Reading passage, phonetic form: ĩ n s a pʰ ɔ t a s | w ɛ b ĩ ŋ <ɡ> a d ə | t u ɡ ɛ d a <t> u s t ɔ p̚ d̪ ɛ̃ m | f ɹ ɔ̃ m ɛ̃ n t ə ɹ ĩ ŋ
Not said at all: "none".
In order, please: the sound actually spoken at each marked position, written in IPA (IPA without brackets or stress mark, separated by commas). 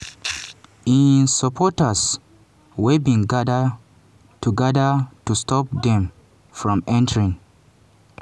ɡ, t